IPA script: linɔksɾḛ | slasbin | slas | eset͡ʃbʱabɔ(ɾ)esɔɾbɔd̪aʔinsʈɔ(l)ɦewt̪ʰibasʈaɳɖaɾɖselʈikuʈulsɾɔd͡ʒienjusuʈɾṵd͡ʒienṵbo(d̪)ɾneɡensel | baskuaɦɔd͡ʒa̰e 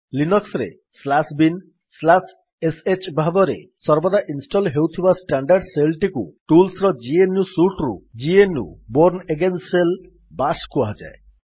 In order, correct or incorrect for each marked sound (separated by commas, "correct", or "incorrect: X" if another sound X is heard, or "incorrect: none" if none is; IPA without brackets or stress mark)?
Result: correct, correct, incorrect: none